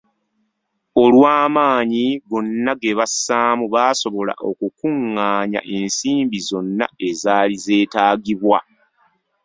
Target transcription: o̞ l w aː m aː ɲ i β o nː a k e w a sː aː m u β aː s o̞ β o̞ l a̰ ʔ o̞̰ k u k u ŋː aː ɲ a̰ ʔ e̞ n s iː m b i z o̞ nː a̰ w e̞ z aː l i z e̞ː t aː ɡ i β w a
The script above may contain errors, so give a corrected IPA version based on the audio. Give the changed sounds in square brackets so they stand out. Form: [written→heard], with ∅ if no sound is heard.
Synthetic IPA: o̞ l w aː m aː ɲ i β o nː a [k→ɡ] e [w→β] a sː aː m u β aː s o̞ β o̞ l a̰ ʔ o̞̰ k u k u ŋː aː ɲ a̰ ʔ e̞ n s iː m b i z o̞ nː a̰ [w→∅] e̞ z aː l i z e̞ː t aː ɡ i β w a